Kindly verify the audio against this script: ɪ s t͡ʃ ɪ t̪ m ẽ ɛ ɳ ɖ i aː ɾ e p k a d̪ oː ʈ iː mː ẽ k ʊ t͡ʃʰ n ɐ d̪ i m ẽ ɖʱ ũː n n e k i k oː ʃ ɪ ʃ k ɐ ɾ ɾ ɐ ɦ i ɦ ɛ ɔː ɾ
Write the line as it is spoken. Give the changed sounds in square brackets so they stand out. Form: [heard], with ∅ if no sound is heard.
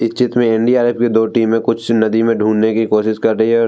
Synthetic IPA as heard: ɪ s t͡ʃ ɪ t̪ m ẽ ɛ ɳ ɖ i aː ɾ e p k [e] d̪ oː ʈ iː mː ẽ k ʊ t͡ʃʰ n ɐ d̪ i m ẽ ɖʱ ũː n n e k i k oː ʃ ɪ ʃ k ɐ ɾ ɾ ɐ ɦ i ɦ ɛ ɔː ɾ